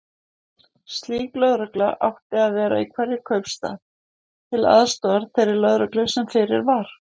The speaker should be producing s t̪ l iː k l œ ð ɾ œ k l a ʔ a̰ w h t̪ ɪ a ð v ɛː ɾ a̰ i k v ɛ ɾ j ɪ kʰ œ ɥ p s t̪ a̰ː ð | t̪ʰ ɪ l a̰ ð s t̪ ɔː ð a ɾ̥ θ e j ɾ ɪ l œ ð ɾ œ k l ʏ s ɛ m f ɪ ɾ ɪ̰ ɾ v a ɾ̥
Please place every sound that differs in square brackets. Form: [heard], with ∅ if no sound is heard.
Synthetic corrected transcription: s t̪ l iː k l œ ð ɾ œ k l a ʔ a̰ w h t̪ ɪ a ð v ɛː ɾ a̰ i [kʰ] v ɛ ɾ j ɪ kʰ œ ɥ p s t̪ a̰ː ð | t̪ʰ ɪ l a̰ ð s t̪ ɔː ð a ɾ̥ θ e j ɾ ɪ l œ ð ɾ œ k l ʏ s ɛ m f ɪ ɾ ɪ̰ ɾ v a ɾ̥

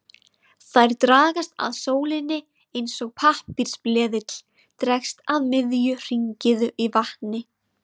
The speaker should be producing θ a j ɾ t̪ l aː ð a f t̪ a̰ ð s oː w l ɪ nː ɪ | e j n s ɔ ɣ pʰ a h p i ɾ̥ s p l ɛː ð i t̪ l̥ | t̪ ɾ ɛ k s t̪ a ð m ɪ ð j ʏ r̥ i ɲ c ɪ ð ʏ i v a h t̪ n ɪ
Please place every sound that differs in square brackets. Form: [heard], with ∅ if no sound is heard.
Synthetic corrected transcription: θ a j ɾ t̪ [ɾ] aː [ɣ] a [s] t̪ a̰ ð s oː w l ɪ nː ɪ | e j n s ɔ ɣ pʰ a h p i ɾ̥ s p l ɛː ð [ɪ] t̪ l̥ | t̪ ɾ ɛ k s t̪ a ð m ɪ ð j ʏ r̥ i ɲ c ɪ ð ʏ i v a h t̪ n ɪ

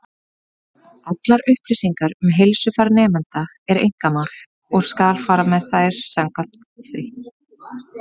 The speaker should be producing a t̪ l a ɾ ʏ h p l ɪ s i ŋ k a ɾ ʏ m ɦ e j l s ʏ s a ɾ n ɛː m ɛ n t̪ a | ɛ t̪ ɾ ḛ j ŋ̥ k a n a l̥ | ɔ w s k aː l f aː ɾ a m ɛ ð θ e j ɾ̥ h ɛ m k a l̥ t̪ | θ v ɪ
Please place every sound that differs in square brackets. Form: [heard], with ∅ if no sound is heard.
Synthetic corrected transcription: a t̪ l a ɾ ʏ h p l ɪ s i ŋ k a ɾ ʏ m ɦ e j l s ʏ [f] a ɾ n ɛː m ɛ n t̪ a | ɛ [∅] ɾ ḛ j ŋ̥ k a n a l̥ | ɔ [ɣ] s k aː l f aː ɾ a m ɛ ð θ [a] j ɾ̥ [s] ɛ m k a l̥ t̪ | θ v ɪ

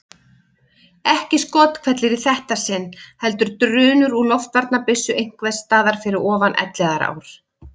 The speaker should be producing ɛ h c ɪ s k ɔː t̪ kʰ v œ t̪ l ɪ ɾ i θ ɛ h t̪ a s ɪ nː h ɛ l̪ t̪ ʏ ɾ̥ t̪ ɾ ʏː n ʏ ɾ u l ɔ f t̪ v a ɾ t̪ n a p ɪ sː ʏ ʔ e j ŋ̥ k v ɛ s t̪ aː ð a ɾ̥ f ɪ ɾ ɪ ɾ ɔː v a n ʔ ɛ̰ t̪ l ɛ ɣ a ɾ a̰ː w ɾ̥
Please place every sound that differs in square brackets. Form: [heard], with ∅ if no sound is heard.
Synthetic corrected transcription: ɛ h c ɪ s k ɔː t̪ kʰ v [ɛ] t̪ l ɪ ɾ i θ ɛ h t̪ a s ɪ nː h ɛ l̪ t̪ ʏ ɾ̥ t̪ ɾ ʏː n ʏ ɾ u l ɔ f t̪ v a ɾ t̪ n a p ɪ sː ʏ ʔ e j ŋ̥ k v ɛ s t̪ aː ð a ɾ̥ f ɪ ɾ ɪ ɾ ɔː v a n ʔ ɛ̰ t̪ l ɛ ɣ a ɾ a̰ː w ɾ̥

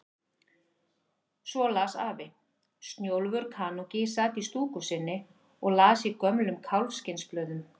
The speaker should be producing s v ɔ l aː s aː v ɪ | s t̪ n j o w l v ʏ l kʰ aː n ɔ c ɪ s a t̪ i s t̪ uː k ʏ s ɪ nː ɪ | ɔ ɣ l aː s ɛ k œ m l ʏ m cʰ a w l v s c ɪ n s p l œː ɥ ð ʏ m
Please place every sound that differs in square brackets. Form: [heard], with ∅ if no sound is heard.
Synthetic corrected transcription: s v ɔ l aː s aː v ɪ | s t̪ n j o w l v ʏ [ɾ] kʰ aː n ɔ c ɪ s a t̪ i s t̪ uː k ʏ s ɪ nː ɪ | ɔ ɣ l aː s [i] k œ m l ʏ m [kʰ] a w l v s c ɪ n s p l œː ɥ ð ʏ m

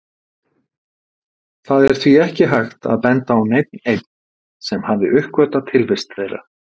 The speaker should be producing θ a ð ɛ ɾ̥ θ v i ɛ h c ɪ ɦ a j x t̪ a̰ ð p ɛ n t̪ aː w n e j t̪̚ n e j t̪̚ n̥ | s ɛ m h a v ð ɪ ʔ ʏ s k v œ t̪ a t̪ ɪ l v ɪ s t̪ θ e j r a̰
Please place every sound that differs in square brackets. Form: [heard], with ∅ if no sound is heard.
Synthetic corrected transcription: θ a ð ɛ ɾ̥ θ v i ɛ h c ɪ ɦ a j x t̪ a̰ ð p ɛ n t̪ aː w n e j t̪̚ n e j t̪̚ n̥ | s ɛ m h a v ð ɪ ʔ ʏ [h] k v œ t̪ a [t̪ʰ] ɪ l v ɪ s t̪ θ e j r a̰

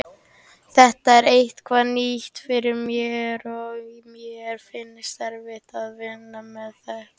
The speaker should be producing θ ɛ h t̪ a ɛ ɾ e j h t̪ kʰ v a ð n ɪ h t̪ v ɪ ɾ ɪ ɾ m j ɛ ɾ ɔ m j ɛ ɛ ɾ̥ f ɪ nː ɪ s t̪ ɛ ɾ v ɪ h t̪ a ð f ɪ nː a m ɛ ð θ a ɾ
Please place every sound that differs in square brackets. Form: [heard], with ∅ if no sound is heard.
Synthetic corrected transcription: θ ɛ h t̪ a ɛ ɾ e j h t̪ kʰ v a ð n [i] h t̪ [f] ɪ ɾ ɪ ɾ m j ɛ ɾ ɔ m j ɛ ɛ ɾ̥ f ɪ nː ɪ s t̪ ɛ ɾ v ɪ h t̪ a ð [v] ɪ nː a m ɛ ð θ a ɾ

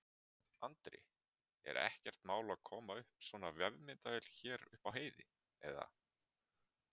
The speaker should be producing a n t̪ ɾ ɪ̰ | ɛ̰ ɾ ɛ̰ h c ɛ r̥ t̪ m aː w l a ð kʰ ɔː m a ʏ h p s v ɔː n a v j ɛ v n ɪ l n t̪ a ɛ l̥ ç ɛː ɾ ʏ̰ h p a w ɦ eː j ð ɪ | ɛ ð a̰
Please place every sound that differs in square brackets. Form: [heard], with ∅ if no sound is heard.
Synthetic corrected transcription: a n t̪ ɾ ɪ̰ | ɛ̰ ɾ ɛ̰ h c ɛ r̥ t̪ m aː w l a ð kʰ ɔː m a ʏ h p s v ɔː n a v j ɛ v [m] ɪ [∅] n t̪ a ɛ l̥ ç ɛː ɾ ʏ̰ h p a w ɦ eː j ð ɪ | ɛ ð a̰

